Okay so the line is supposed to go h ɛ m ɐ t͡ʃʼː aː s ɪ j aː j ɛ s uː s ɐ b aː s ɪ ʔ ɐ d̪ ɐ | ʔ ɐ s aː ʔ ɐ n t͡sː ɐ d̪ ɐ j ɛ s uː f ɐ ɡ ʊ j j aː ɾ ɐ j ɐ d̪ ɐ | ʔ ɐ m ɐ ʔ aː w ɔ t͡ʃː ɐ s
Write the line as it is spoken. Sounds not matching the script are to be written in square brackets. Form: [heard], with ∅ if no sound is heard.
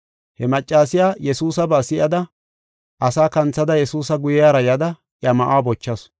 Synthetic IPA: h ɛ m ɐ t͡ʃʼː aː s ɪ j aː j ɛ s uː s ɐ b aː s ɪ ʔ ɐ d̪ ɐ | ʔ ɐ s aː [k] ɐ n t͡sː ɐ d̪ ɐ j ɛ s uː [s] ɐ ɡ ʊ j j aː ɾ ɐ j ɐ d̪ ɐ | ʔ ɐ m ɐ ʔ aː [b] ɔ t͡ʃː ɐ s